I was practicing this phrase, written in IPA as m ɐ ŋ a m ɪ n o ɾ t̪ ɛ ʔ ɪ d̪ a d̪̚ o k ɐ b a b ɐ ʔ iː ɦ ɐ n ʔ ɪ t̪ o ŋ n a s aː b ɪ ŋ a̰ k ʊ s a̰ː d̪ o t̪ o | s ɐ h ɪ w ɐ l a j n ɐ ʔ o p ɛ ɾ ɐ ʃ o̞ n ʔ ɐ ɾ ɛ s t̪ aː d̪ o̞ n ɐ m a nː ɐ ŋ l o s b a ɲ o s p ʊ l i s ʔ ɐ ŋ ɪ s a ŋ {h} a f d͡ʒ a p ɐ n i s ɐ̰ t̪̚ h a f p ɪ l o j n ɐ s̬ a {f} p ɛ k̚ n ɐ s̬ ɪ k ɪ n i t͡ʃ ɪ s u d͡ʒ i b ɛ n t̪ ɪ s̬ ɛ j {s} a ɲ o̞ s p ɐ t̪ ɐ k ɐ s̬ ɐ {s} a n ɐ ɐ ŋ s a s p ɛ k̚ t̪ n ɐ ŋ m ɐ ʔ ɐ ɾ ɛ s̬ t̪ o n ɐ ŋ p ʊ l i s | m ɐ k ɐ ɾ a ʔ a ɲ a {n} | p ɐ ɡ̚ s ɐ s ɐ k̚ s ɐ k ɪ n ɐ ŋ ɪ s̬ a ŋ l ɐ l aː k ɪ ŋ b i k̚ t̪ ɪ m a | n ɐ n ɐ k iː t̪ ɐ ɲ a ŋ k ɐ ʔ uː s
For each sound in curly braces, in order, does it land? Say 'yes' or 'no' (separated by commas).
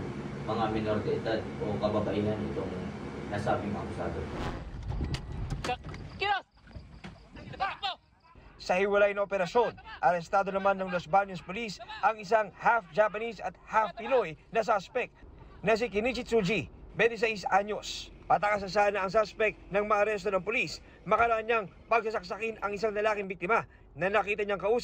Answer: yes, no, yes, yes, no